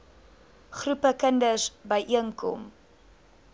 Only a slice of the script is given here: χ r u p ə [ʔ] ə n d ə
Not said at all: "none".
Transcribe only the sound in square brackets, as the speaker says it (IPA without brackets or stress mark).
k